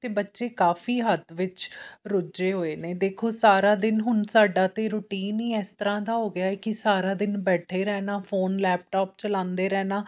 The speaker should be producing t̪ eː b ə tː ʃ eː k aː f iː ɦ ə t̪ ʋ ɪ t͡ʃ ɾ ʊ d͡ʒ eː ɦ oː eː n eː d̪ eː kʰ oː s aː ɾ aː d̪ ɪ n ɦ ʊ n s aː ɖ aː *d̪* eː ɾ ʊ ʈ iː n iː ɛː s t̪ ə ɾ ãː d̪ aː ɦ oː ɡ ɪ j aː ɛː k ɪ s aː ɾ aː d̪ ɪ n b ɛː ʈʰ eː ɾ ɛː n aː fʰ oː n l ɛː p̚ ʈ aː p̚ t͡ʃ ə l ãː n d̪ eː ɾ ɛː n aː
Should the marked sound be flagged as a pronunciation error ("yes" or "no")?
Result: yes